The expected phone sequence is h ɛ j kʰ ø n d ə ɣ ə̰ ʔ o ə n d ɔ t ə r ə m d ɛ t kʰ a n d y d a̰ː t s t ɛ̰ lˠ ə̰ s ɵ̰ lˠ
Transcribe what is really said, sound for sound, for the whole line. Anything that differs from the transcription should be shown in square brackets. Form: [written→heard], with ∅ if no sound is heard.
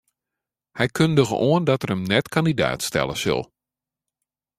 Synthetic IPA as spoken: h ɛ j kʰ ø n d ə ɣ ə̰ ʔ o ə n d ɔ t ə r ə m [d→n] ɛ t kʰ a n d [y→i] d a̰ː t s t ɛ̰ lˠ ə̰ s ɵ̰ lˠ